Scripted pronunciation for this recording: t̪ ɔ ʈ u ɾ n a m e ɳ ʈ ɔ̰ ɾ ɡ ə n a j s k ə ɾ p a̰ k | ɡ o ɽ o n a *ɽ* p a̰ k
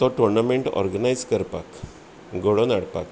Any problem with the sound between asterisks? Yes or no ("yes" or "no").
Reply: no